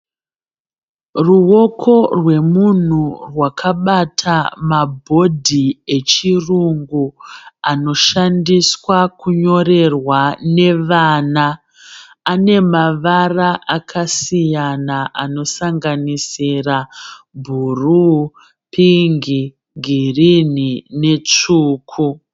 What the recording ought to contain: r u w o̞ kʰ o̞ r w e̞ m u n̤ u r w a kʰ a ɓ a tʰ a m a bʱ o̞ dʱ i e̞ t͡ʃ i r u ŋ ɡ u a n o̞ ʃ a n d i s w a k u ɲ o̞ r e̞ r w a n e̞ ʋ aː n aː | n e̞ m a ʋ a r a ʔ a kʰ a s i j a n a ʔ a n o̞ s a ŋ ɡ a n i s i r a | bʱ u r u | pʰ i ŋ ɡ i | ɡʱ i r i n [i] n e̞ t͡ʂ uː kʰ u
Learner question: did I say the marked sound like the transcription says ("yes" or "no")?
yes